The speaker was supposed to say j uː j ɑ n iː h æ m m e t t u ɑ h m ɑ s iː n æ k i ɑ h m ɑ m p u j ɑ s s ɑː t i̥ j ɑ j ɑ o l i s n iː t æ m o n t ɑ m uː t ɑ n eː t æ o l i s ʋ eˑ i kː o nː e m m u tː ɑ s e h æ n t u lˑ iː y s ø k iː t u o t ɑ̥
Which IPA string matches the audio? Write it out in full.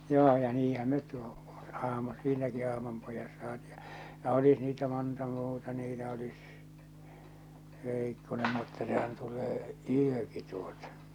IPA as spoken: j oː j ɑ n iː h æ m m e t t u ɑ h m ɑ s iː n æ k i ɑ h m ɑ m p o j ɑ s s ɑː t i̥ j ɑ j ɑ o l i s n iː t æ m o n t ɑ m uː t ɑ n iː t æ o l i s ʋ eˑ i kː o n e m m u tː ɑ s e h æ n t u lˑ eː y ø k i t u o t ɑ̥